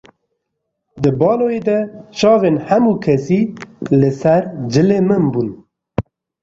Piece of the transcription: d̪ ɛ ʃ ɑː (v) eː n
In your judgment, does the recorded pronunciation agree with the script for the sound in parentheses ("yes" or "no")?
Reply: yes